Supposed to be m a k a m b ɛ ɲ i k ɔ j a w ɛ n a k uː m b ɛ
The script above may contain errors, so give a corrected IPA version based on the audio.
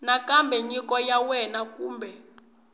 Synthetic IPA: n a k a m b ɛ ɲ i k ɔ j a w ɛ n a k uː m b ɛ